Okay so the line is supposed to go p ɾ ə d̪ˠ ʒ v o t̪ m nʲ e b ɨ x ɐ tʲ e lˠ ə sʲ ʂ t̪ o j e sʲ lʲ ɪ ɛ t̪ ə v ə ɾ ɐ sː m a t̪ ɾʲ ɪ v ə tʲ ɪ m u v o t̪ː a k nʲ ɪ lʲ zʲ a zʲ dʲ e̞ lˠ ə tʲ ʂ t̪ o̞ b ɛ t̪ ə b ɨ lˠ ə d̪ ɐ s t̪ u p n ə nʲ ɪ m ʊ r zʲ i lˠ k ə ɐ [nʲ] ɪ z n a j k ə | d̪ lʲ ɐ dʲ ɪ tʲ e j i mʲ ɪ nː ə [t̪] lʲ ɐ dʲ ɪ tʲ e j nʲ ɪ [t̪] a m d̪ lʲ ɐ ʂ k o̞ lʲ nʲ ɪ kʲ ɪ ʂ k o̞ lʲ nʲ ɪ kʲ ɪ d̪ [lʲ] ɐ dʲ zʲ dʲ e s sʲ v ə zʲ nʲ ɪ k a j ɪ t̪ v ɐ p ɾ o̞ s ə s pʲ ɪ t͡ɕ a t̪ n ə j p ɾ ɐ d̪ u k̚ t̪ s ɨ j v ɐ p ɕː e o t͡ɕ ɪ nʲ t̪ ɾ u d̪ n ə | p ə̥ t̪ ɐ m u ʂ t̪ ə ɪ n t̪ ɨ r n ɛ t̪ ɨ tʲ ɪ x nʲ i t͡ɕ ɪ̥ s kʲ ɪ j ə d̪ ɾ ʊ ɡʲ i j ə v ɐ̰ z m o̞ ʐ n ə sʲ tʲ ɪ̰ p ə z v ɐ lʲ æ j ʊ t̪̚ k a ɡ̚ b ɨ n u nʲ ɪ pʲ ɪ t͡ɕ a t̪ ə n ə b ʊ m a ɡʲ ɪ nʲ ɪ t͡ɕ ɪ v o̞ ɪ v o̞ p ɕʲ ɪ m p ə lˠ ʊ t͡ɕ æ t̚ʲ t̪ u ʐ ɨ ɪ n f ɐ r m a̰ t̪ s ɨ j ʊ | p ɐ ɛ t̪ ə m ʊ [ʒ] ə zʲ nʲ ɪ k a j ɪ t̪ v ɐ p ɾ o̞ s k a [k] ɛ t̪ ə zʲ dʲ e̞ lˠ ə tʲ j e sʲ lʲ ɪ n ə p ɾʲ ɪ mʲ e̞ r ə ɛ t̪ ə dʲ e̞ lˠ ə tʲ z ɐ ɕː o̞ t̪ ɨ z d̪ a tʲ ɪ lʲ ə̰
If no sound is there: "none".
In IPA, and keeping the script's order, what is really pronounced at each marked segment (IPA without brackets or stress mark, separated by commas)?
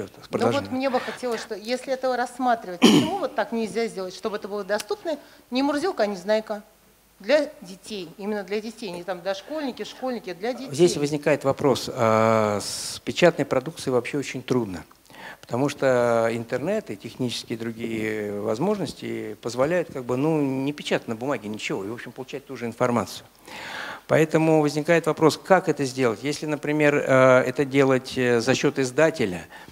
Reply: nʲ, d̪, t̪, lʲ, v, k